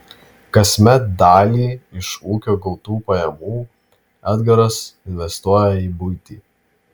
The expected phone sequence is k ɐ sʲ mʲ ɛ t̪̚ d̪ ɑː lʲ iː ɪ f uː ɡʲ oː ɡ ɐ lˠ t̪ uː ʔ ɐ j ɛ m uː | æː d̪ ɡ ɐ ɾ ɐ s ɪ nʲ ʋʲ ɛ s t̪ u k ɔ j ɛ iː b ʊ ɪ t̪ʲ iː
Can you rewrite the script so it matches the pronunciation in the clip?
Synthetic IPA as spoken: k ɐ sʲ mʲ ɛ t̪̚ d̪ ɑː lʲ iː ɪ ʃ uː kʲ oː ɡ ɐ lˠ t̪ uː p ɐ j ɛ m uː | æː d̪ ɡ ɐ ɾ ɐ s ɪ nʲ ʋʲ ɛ s t̪ u ɔ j ɛ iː b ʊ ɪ t̪ʲ iː